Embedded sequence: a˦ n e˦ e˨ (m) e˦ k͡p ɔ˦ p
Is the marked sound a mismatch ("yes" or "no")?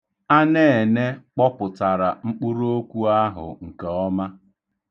yes